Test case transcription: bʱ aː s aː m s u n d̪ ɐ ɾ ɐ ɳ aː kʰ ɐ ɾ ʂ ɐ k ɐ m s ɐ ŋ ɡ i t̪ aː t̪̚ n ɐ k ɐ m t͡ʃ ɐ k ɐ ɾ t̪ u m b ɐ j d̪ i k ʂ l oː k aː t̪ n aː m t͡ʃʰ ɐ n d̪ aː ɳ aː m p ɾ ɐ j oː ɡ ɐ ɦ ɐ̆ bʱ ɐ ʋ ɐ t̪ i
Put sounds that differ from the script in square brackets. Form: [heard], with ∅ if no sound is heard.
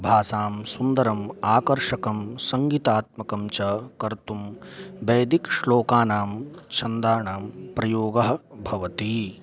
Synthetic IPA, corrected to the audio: bʱ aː s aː m s u n d̪ ɐ ɾ ɐ [m] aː [k] ɐ ɾ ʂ ɐ k ɐ m s ɐ ŋ ɡ i t̪ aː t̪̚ [m] ɐ k ɐ m t͡ʃ ɐ k ɐ ɾ t̪ u m b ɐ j d̪ i k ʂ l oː k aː [∅] n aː m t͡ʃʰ ɐ n d̪ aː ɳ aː m p ɾ ɐ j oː ɡ ɐ ɦ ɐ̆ bʱ ɐ ʋ ɐ t̪ i